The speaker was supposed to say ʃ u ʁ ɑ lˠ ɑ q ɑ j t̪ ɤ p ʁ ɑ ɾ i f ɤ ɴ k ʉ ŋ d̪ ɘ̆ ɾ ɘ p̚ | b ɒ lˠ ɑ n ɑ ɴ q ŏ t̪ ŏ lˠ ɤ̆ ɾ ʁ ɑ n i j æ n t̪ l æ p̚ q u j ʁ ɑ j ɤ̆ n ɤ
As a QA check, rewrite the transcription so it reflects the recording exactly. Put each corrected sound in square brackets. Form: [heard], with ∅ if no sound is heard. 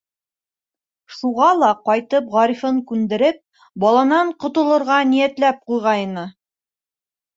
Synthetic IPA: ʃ u ʁ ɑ lˠ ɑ q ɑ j t̪ ɤ p ʁ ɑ ɾ i f ɤ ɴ k ʉ [n] d̪ ɘ̆ ɾ ɘ p̚ | b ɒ lˠ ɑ n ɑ ɴ q ŏ t̪ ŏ lˠ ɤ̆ ɾ ʁ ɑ n i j æ [∅] t̪ l æ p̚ q u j ʁ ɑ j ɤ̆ n ɤ